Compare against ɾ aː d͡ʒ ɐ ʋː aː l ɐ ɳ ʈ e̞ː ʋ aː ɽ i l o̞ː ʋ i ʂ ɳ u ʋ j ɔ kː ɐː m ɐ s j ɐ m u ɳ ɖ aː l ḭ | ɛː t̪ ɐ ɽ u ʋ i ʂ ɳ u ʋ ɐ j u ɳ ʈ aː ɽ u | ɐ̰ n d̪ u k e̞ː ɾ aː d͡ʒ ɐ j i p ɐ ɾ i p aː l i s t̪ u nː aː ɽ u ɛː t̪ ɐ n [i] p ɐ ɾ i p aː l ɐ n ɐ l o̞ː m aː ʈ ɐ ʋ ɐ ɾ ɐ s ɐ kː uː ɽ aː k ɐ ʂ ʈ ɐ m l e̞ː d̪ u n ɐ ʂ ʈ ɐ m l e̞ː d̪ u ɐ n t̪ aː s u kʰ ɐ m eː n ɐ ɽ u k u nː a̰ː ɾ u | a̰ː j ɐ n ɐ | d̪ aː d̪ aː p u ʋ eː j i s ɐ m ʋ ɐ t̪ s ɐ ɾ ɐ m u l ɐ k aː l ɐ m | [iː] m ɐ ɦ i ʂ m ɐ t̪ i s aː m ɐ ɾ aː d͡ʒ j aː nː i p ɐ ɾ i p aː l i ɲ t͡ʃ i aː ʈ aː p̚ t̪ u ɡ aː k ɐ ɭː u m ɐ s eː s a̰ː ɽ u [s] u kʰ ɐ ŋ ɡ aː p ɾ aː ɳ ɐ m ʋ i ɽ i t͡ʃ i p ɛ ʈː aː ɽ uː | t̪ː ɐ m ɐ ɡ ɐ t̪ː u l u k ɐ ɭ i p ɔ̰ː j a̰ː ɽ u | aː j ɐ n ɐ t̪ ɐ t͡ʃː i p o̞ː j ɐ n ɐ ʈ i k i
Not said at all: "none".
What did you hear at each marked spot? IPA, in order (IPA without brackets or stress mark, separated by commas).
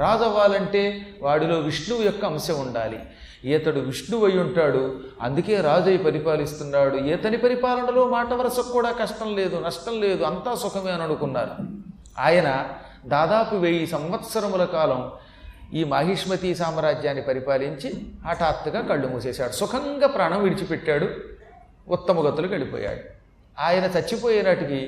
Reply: i, iː, s